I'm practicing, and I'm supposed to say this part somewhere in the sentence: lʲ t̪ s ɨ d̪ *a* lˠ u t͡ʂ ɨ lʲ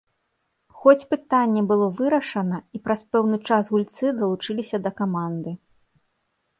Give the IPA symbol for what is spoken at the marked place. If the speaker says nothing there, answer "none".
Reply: ɐ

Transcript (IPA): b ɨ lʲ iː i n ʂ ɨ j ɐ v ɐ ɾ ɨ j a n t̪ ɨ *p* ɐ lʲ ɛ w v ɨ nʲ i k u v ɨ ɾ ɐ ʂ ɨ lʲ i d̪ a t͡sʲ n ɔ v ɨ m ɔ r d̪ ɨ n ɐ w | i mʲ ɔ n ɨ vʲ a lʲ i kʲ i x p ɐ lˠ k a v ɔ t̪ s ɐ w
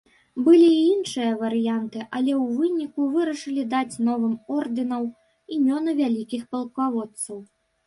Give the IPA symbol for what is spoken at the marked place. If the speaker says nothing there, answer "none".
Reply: ʔ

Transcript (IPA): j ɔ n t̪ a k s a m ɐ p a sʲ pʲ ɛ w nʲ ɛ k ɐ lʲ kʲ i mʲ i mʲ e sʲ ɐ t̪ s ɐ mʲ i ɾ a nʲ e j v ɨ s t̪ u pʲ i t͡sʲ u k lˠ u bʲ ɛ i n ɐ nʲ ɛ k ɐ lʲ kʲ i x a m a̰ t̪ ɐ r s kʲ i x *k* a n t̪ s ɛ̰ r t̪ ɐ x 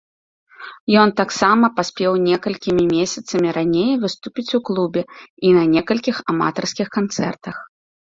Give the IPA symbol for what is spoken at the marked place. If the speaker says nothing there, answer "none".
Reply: k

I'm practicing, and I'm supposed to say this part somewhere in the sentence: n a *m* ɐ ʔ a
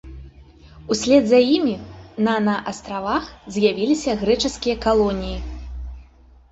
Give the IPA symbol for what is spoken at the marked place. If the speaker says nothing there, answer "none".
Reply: n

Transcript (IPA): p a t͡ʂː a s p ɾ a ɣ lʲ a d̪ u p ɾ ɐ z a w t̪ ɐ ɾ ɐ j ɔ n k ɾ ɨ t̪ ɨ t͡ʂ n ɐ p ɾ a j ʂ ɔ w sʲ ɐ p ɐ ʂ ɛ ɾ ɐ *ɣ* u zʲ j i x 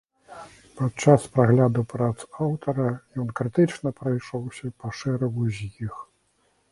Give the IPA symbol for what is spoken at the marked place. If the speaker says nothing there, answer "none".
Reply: ɣ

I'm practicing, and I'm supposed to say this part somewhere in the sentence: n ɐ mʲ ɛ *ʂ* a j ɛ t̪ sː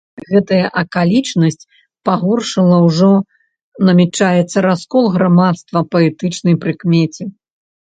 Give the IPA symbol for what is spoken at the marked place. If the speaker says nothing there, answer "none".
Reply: t͡ʂ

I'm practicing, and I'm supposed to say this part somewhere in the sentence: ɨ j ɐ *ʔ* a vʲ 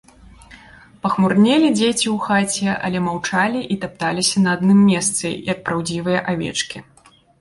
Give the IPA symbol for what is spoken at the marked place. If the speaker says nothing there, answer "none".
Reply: ʔ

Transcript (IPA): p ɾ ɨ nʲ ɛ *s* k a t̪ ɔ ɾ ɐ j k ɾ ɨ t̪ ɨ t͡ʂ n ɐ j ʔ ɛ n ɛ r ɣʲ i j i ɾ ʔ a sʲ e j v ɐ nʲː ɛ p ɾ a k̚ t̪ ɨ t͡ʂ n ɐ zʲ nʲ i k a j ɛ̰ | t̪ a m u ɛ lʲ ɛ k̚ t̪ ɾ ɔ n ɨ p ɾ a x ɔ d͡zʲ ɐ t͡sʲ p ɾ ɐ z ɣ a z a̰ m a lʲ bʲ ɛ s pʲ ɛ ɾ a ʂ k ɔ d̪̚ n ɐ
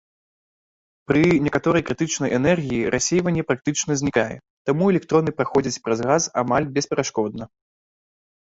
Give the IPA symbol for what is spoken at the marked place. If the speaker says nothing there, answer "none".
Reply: none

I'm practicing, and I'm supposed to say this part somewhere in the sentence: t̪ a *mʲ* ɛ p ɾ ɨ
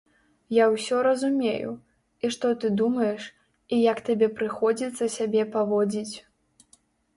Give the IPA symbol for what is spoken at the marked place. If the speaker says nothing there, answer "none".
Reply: bʲ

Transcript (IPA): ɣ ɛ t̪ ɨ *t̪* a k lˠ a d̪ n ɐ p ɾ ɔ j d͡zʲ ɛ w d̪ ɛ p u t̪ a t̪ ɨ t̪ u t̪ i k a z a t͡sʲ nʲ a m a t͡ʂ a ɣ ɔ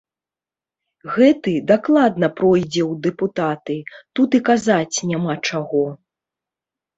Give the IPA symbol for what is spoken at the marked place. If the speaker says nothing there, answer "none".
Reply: d̪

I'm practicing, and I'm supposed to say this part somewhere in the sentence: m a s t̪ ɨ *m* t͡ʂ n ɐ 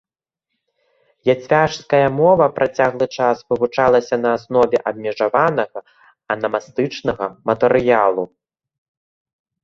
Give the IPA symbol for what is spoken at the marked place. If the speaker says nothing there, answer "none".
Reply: none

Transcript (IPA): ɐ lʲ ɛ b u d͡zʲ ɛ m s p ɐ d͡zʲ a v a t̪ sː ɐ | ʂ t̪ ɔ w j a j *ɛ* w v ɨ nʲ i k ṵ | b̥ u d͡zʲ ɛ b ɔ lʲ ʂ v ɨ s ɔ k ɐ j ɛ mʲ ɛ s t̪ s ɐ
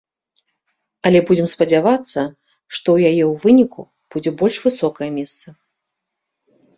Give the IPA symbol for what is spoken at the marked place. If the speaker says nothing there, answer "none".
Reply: ɛ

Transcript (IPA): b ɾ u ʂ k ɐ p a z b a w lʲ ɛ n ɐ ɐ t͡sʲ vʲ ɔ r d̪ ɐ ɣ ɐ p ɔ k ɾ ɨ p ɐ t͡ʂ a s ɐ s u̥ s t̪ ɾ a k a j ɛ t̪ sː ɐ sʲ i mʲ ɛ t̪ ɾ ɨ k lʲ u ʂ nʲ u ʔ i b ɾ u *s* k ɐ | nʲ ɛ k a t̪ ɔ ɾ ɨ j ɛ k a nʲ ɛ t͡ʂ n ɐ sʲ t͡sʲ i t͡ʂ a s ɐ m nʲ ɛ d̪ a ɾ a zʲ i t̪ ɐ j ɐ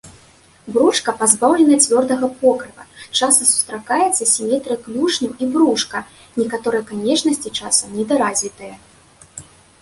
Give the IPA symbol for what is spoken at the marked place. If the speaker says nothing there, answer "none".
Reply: ʂ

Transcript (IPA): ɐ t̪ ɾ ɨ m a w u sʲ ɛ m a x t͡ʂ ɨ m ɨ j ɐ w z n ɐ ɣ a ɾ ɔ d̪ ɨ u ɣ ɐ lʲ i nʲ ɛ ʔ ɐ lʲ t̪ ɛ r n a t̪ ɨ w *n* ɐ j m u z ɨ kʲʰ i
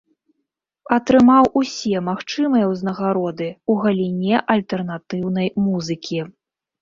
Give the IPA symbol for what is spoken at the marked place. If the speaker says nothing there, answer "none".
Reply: n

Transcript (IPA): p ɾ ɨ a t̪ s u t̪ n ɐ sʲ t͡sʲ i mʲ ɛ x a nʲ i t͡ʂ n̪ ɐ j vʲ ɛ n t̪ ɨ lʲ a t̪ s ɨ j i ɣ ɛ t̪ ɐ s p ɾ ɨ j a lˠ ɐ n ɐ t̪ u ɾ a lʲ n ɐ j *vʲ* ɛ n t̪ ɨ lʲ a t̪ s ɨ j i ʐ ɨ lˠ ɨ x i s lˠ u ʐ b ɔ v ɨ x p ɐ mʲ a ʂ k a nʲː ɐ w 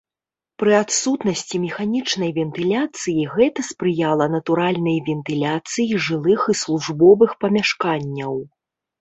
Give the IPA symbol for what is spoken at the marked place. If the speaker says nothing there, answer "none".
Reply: vʲ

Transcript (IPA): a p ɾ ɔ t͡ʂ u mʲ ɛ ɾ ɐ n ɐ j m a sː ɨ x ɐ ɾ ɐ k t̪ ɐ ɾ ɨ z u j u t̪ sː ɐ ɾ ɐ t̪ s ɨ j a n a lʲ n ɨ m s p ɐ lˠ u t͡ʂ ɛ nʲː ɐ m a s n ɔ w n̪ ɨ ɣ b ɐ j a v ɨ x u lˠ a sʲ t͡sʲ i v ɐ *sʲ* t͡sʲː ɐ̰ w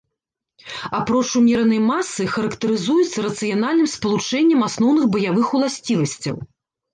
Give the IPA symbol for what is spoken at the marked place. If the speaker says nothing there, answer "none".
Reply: sʲ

